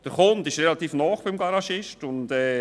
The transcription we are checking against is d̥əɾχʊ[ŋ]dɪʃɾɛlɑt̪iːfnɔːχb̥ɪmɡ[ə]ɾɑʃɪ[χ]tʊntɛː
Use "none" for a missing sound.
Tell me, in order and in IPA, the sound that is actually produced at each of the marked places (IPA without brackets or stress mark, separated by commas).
n, ɑ, ʃ